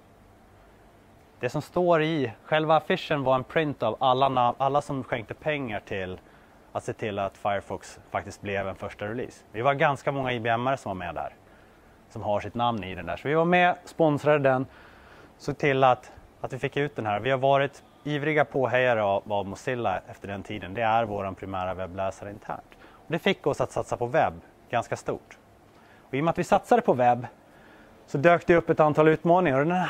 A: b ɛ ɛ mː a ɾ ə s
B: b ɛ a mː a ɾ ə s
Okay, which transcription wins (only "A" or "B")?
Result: A